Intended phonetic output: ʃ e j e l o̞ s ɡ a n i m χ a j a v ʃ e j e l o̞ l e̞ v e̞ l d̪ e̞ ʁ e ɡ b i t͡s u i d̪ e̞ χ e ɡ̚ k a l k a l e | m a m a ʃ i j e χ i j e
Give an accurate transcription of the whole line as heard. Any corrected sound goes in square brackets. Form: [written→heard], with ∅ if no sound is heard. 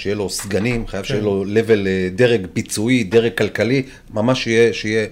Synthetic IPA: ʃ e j e l o̞ s ɡ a n i m χ a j a v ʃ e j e l o̞ l e̞ v e̞ l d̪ e̞ ʁ e ɡ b i t͡s u i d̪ e̞ [χ→ʁ] e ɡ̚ k a l k a l [e→i] | m a m a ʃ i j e [χ→ʃ] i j e